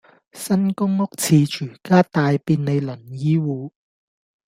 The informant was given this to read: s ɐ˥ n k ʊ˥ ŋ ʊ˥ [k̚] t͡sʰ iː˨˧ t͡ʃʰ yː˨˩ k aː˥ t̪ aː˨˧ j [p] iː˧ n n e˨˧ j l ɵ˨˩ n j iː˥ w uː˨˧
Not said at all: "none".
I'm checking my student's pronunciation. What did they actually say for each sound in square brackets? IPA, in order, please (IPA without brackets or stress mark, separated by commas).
k̚, p